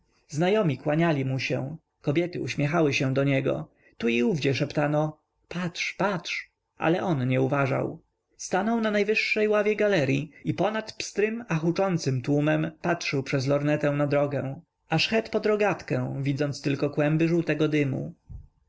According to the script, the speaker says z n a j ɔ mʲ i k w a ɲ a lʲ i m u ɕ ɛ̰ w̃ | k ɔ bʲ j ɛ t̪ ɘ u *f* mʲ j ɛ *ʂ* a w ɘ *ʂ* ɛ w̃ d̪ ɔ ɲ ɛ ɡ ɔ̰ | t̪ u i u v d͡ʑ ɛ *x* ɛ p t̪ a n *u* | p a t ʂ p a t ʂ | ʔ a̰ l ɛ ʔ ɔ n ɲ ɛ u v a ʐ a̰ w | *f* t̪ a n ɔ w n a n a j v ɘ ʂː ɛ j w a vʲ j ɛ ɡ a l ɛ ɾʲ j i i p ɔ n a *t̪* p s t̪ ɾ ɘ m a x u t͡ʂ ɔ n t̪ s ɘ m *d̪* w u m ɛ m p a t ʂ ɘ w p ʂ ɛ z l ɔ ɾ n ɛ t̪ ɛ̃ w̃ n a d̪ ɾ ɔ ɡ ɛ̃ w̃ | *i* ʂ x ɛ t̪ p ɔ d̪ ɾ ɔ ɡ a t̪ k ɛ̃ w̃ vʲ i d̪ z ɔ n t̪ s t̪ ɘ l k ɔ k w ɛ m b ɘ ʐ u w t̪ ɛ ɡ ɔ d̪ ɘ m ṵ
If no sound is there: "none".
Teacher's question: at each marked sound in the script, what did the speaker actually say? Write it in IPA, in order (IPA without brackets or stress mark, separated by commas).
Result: ɕ, x, ɕ, ʂ, ɔ, s, t̪, t̪, a